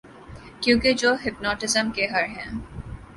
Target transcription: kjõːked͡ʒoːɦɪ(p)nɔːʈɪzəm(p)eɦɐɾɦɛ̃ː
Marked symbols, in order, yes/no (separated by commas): yes, no